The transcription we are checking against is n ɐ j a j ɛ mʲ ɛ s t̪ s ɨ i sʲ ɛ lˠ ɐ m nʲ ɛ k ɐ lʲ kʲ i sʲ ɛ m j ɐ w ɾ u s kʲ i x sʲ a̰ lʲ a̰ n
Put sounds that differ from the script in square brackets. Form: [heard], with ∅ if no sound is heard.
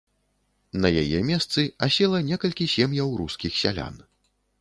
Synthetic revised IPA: n ɐ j a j ɛ mʲ ɛ s t̪ s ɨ [a] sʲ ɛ lˠ ɐ [∅] nʲ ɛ k ɐ lʲ kʲ i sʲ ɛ m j ɐ w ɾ u s kʲ i x sʲ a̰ lʲ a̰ n